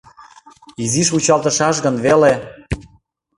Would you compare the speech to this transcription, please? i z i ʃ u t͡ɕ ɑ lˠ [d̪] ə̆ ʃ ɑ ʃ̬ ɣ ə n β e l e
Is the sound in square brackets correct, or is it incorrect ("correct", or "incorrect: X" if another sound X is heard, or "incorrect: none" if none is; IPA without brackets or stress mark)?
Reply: incorrect: t̪